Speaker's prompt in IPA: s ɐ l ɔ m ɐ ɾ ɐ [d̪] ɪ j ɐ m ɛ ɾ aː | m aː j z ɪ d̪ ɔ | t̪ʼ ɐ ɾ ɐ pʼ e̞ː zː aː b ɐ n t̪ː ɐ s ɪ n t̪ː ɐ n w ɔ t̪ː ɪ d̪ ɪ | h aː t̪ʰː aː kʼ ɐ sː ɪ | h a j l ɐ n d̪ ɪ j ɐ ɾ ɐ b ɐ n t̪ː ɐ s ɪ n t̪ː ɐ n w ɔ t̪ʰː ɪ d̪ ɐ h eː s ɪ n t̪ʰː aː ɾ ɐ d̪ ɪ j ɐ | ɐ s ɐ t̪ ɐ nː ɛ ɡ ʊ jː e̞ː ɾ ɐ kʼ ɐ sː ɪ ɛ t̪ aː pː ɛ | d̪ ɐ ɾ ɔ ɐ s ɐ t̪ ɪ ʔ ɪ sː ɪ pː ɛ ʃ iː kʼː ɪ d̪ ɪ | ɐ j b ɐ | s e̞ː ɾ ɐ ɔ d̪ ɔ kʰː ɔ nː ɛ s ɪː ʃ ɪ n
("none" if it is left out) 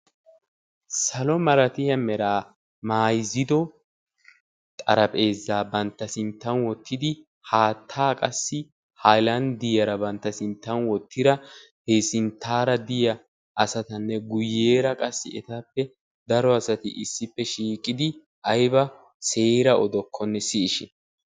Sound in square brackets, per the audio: t̪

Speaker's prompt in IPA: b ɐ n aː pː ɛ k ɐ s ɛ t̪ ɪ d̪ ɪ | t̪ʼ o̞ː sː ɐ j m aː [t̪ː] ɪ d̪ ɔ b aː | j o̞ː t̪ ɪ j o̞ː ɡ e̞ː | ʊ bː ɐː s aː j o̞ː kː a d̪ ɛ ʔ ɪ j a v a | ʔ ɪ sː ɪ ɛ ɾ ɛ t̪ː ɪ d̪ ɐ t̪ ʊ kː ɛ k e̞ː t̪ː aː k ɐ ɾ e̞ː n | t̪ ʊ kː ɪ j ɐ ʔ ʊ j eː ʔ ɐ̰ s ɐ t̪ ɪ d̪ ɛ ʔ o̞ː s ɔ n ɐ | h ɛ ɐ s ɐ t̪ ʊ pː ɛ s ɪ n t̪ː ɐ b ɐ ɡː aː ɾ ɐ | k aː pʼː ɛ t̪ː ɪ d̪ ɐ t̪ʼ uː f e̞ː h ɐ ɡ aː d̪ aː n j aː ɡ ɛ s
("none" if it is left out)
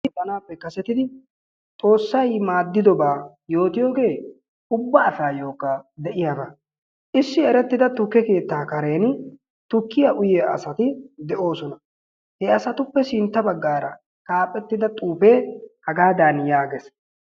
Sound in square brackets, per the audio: d̪ː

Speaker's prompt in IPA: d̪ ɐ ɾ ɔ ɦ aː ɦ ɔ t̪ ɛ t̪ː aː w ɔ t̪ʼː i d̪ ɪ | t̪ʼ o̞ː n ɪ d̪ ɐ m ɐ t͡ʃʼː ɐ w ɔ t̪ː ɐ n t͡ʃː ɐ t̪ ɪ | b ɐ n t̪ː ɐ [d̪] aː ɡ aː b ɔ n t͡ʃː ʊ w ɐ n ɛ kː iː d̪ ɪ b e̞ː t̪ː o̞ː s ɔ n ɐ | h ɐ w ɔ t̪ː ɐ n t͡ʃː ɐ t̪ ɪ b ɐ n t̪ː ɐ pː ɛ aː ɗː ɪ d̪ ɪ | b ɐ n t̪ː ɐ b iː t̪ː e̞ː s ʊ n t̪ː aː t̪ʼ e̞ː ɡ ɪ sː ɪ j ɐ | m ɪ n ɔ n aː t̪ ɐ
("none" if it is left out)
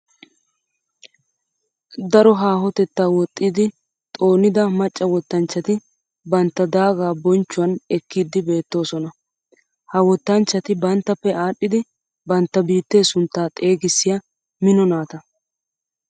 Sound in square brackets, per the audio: d̪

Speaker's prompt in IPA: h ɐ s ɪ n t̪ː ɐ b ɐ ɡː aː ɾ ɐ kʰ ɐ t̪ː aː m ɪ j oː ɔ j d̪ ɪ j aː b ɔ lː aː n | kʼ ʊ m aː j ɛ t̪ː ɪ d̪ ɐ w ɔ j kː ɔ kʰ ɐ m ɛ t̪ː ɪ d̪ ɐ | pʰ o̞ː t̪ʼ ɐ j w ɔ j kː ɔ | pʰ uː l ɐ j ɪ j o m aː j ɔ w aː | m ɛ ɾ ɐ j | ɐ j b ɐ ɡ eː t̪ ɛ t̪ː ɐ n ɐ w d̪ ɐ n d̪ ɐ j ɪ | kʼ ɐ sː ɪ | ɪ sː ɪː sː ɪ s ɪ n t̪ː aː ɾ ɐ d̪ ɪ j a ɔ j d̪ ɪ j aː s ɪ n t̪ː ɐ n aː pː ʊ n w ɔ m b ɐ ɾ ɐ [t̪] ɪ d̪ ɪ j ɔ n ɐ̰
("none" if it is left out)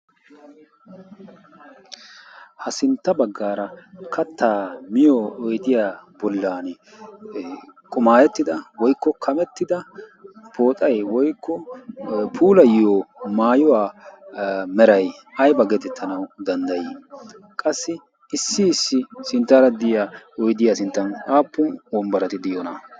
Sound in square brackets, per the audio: t̪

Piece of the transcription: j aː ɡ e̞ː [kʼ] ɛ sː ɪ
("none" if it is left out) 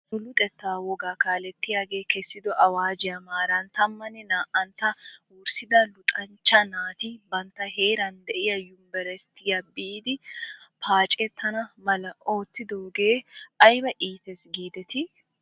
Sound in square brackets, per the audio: k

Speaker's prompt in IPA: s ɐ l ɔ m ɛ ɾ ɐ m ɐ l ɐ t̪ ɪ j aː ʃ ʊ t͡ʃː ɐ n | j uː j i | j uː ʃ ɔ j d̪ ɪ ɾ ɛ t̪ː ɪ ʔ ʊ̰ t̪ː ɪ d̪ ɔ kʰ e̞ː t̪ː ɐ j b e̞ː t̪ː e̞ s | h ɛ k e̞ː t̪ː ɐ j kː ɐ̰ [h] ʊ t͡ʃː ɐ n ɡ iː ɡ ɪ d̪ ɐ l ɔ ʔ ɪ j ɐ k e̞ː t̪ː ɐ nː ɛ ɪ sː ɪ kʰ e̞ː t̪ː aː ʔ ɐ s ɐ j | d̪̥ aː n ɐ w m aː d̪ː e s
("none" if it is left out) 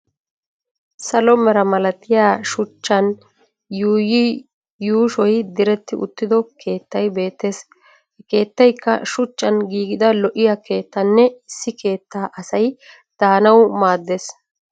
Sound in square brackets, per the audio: ʃ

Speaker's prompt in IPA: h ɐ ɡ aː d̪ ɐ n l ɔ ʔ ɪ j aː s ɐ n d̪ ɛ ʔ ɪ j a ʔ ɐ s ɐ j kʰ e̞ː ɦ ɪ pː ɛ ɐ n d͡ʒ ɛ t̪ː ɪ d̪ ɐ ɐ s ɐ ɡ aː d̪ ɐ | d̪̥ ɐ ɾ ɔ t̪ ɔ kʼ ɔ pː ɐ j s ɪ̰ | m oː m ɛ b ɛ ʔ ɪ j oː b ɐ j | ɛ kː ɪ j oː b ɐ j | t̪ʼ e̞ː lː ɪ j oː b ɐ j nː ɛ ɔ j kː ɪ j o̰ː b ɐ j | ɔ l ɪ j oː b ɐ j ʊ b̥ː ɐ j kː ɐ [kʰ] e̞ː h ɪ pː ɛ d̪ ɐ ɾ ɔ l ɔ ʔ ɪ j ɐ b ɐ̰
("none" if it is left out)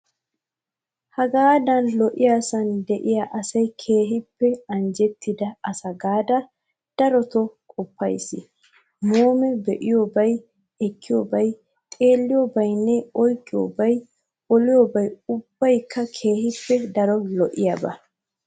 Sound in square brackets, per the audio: kʰ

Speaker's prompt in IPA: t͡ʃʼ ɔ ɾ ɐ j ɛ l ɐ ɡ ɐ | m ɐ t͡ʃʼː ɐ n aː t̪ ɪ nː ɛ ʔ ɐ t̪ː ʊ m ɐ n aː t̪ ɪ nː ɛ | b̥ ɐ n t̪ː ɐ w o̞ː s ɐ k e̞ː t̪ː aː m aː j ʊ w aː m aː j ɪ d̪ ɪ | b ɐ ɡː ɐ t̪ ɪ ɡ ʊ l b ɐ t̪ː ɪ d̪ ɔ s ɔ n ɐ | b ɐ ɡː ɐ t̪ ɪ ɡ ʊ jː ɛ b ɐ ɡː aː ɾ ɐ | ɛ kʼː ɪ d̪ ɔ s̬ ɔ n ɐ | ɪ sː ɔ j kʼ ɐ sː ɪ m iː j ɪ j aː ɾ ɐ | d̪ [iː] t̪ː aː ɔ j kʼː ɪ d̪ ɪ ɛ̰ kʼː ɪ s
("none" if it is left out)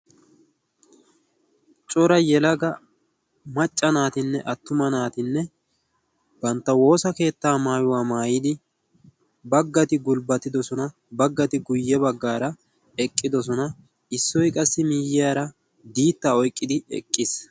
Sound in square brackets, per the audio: iː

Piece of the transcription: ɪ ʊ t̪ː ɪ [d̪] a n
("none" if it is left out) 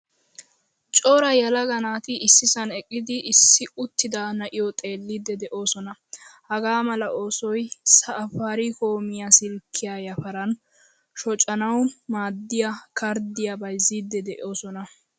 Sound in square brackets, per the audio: d̪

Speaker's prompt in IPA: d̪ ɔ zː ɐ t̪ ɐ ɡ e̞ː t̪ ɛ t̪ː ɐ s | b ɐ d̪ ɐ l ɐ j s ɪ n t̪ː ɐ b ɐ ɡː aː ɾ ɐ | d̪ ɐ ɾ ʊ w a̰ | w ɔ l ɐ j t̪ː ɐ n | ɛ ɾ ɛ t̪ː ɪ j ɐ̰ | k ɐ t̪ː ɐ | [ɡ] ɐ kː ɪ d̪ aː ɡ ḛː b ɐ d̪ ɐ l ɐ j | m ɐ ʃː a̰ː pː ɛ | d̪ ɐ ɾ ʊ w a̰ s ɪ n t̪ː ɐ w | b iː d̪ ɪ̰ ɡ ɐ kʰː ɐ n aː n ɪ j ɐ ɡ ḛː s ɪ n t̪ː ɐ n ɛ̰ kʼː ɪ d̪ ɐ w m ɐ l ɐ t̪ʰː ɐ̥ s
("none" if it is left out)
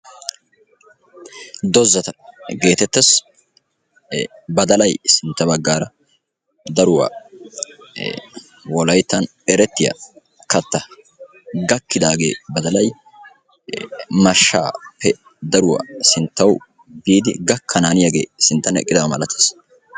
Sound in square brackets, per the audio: ɡ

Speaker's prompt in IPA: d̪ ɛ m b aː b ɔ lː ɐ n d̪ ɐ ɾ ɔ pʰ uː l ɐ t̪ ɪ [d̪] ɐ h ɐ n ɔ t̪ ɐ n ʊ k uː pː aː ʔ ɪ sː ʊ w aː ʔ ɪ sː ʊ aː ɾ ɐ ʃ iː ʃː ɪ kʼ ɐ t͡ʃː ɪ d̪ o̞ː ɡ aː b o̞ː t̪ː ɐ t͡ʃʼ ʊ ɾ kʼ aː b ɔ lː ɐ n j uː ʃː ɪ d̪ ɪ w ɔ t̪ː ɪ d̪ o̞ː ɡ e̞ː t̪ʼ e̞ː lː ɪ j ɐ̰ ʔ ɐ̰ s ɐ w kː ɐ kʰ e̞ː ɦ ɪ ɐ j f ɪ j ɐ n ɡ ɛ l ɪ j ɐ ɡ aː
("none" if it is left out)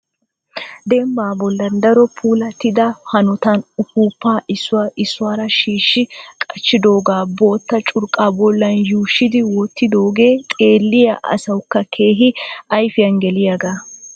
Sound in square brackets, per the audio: d̪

